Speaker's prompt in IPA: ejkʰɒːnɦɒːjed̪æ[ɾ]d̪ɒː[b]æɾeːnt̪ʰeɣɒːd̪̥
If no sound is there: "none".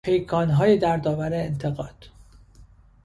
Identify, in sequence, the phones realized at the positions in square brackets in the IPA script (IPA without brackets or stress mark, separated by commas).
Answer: ɾ, v